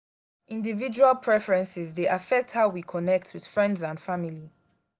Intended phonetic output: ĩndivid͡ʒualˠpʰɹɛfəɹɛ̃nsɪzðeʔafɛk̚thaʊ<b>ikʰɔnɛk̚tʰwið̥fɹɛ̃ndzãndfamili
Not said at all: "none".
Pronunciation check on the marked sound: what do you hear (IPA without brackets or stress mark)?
w